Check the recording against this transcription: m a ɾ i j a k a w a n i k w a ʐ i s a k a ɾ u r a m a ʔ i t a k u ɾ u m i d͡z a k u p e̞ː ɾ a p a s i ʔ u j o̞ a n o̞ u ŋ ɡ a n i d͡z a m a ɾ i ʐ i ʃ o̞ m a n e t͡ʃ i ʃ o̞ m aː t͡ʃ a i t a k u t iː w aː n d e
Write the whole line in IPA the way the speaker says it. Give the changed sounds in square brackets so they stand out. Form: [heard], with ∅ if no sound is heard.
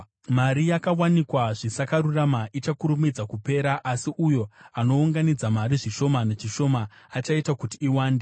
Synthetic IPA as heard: m a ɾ i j a k a w a n i k w a ʐ i s a k a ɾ u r a m a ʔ i [t͡ʃ] a k u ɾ u m i d͡z a k u p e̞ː ɾ a [ʔ] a s i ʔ u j o̞ a n o̞ u ŋ ɡ a n i d͡z a m a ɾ i ʐ i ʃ o̞ m a n e t͡ʃ i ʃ o̞ m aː t͡ʃ a i t a k u t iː w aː n d e